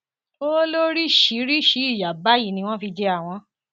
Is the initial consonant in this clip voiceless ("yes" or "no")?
no